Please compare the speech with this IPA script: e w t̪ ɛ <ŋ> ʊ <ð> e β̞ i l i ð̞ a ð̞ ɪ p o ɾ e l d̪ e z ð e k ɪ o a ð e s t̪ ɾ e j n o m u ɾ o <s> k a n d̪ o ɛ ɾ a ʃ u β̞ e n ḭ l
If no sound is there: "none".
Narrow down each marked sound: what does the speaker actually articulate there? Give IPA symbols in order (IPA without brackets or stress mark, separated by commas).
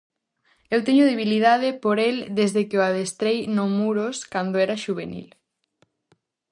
ɲ, ð, s